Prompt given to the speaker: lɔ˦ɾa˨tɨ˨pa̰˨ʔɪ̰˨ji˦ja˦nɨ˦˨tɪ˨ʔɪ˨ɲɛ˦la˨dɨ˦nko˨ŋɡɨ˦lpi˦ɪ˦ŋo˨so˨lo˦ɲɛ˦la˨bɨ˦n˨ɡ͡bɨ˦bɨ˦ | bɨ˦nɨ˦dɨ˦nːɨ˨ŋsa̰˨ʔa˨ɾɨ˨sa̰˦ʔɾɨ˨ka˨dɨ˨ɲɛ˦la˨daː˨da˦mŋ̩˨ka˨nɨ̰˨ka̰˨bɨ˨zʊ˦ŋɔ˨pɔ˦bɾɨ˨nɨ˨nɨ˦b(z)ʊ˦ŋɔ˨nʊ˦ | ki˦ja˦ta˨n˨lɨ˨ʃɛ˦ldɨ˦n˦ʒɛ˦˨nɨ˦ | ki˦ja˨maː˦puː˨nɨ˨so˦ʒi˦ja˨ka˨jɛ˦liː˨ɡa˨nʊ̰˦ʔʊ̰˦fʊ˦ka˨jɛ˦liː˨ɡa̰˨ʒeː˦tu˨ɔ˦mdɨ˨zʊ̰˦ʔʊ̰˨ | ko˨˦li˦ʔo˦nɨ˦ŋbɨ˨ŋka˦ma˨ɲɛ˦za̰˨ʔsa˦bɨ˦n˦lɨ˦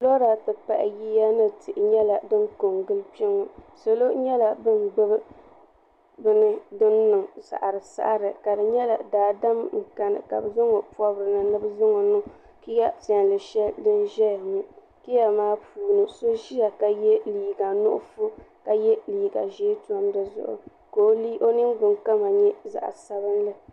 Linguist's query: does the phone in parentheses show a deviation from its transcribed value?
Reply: no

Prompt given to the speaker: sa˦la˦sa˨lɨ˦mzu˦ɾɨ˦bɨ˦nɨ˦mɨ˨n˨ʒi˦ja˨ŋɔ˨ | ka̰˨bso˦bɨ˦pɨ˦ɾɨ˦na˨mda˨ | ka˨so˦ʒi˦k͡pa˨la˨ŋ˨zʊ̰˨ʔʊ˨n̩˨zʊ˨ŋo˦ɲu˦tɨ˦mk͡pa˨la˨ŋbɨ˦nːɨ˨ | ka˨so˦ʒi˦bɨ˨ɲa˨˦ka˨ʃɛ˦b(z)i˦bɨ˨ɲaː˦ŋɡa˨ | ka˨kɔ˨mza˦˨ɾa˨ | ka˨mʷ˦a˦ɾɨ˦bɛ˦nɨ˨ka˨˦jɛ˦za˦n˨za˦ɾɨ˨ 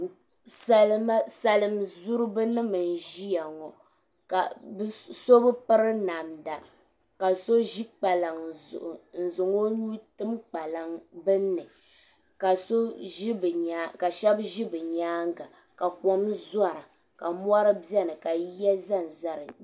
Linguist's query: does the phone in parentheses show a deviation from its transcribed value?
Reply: yes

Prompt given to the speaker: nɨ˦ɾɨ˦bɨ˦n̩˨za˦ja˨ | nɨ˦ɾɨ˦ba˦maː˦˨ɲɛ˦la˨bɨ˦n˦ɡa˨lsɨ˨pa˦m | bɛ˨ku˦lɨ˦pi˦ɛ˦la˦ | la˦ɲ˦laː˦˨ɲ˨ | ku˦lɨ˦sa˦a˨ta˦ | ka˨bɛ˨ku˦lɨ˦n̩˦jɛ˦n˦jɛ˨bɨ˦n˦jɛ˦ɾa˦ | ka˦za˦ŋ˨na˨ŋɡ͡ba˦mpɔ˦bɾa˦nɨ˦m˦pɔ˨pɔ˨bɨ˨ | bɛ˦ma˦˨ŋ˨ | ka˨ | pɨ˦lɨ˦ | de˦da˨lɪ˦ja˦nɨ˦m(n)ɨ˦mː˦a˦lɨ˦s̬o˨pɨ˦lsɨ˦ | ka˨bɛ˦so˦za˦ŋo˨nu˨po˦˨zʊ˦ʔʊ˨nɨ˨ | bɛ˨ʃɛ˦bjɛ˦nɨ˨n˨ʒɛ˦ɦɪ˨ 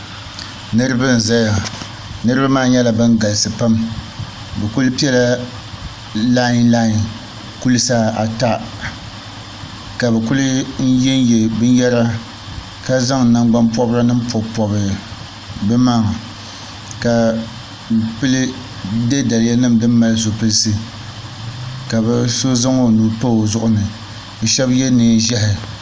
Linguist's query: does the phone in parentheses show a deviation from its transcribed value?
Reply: yes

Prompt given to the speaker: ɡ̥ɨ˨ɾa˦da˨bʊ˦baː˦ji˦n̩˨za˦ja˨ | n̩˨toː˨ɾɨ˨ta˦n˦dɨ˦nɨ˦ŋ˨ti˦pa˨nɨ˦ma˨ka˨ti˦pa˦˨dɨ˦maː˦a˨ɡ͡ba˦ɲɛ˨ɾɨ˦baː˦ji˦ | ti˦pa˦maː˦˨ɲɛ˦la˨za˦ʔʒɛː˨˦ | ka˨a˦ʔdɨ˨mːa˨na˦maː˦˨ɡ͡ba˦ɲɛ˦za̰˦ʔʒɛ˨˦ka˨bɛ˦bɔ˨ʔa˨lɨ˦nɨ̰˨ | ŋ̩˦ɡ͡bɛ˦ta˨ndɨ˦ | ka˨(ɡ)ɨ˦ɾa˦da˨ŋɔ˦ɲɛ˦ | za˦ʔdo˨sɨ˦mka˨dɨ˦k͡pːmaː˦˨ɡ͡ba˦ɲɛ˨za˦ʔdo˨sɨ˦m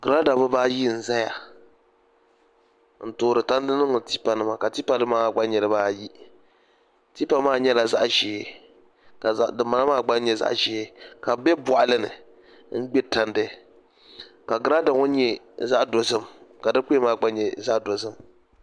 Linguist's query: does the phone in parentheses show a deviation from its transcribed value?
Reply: no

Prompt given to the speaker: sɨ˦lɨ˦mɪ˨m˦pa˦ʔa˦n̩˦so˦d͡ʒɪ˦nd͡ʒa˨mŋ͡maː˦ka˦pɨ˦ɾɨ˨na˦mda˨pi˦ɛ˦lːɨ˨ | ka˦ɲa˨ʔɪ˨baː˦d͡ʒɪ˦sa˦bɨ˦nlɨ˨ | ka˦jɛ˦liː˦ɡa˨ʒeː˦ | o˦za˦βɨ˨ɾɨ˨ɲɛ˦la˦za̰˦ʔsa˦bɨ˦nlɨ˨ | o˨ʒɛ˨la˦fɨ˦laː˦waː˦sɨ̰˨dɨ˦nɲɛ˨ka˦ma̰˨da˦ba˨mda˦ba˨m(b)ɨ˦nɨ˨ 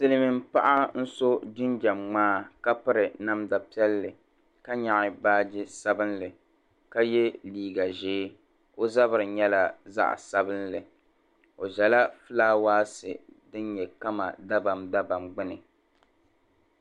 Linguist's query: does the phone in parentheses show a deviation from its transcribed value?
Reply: yes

